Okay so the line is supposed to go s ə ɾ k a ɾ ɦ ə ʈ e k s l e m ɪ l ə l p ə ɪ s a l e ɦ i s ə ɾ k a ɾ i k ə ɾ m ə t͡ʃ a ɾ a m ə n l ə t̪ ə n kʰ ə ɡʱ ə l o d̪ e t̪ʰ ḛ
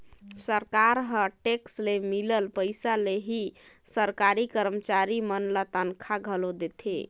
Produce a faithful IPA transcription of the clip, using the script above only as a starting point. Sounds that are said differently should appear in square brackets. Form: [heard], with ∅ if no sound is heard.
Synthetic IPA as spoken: s ə ɾ k a ɾ ɦ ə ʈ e k s l e m [i] l ə l p ə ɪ s a l e ɦ i s ə ɾ k a ɾ i k ə ɾ m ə t͡ʃ a ɾ [i] m ə n l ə t̪ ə n kʰ [a] ɡʱ ə l o d̪ e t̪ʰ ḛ